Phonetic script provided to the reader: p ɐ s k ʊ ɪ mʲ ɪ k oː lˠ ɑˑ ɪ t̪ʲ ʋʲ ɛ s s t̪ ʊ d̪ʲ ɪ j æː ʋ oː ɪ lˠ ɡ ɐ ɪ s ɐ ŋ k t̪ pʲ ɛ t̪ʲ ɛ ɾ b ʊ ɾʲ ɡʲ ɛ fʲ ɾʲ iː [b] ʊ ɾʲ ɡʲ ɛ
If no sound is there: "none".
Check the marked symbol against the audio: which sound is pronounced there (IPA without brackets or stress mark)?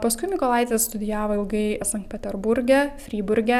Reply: b